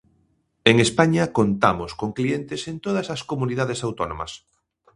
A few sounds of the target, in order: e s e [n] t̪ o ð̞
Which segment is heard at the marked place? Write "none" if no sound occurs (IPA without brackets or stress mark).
n